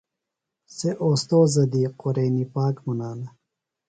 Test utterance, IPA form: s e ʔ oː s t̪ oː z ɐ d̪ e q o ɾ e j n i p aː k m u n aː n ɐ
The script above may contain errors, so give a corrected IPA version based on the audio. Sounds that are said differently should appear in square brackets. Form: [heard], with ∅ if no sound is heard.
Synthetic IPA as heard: s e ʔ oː s t̪ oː z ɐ d̪ [i] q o ɾ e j n i p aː k m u n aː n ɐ